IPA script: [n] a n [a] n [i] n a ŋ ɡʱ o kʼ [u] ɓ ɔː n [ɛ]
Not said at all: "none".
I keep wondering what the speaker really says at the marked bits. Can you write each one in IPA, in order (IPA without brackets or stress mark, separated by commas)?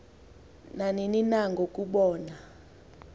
n, i, i, u, a